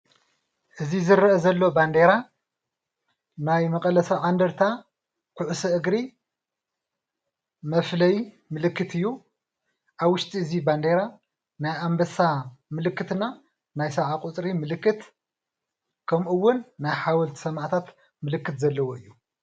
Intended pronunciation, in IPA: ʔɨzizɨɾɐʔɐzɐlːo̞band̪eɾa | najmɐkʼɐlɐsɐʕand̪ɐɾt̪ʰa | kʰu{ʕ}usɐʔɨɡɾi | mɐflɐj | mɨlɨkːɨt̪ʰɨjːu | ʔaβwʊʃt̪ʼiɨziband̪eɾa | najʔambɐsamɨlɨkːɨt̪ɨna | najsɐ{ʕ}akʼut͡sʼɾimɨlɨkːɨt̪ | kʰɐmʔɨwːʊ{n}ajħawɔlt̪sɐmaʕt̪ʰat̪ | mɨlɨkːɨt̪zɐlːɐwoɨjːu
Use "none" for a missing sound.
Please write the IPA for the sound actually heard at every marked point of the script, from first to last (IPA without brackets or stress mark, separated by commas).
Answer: ʕ, ʕ, nː